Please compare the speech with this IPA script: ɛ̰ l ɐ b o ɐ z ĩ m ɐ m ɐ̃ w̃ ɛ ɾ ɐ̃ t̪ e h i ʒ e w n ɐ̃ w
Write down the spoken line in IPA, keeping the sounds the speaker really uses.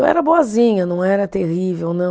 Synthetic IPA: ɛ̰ ɾ ɐ b o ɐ z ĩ ɲ ɐ n ɐ̃ w̃ ɛ ɾ ɐ t̪ e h i v e w n ɐ̃ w